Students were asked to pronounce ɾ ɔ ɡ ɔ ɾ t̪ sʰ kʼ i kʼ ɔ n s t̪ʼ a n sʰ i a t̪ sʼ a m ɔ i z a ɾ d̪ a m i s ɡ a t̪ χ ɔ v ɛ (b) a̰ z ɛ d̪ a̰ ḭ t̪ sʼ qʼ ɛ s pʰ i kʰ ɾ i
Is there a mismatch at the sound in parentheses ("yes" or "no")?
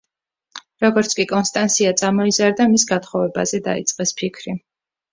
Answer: no